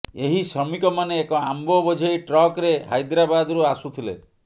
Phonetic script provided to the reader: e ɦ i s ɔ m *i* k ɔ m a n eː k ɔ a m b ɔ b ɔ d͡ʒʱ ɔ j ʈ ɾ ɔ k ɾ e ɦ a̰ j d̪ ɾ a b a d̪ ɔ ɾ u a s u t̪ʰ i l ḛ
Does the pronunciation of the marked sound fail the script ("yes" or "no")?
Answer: no